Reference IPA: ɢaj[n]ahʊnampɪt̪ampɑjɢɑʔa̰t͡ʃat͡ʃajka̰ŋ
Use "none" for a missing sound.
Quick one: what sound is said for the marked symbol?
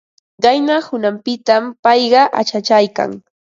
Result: n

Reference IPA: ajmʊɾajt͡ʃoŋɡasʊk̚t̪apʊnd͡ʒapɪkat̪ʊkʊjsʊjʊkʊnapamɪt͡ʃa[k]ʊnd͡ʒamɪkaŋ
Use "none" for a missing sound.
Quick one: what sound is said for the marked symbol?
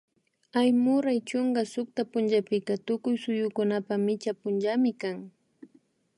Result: p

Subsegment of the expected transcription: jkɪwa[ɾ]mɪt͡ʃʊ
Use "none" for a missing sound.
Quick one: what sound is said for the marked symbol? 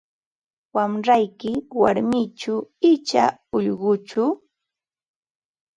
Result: ɾ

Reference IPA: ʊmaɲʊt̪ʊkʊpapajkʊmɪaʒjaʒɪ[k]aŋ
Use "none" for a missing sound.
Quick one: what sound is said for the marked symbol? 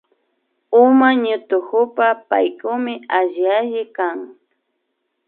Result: k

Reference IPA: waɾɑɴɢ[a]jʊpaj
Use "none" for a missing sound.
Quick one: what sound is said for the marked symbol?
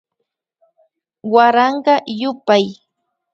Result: ɑ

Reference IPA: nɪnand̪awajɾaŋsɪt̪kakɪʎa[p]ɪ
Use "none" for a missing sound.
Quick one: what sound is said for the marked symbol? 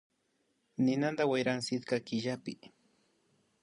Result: p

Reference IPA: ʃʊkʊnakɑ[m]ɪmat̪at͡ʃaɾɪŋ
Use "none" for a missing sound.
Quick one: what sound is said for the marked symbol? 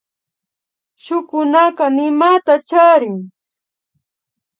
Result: n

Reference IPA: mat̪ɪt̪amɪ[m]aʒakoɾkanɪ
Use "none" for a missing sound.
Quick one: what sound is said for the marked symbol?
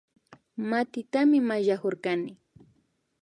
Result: m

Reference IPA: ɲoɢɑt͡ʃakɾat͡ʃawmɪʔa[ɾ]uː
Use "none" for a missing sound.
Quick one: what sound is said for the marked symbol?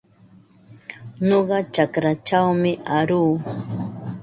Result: ɾ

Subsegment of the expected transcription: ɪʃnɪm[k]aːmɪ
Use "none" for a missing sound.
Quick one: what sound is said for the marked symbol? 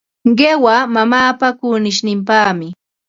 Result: p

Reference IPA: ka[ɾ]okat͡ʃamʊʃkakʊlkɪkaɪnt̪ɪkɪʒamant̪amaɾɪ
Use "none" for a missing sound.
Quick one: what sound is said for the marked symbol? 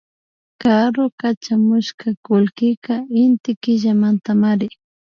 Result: ɾ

